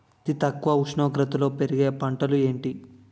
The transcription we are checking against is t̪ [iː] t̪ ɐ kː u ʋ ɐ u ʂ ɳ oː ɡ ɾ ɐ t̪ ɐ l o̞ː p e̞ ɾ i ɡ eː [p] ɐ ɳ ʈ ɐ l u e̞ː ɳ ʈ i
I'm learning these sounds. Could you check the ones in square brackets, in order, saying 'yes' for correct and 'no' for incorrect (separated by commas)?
no, yes